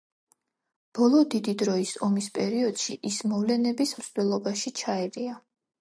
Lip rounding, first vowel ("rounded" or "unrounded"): rounded